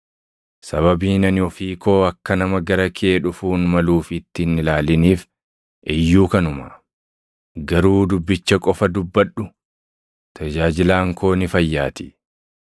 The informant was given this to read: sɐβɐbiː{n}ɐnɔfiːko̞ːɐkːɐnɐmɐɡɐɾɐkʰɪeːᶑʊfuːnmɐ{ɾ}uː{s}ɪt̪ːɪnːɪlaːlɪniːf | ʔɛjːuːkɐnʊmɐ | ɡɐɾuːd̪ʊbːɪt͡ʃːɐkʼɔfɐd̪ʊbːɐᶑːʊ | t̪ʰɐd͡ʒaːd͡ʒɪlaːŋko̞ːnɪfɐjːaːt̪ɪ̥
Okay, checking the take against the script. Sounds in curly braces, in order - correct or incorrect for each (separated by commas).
correct, incorrect, incorrect